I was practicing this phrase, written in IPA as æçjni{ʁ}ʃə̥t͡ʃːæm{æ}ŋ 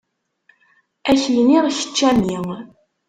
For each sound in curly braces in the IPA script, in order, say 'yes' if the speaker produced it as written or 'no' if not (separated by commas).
yes, no